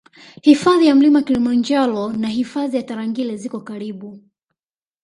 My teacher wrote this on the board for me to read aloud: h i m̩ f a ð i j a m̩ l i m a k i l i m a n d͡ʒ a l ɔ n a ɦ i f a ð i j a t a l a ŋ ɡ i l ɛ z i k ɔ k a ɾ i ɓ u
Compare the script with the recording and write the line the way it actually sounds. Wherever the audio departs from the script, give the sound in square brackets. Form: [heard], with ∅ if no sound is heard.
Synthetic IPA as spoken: h i [∅] f a ð i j a m̩ l i m a k i l i m a n d͡ʒ a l ɔ n a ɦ i f a ð i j a t a [ɾ] a ŋ ɡ i l ɛ z i k ɔ k a ɾ i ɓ u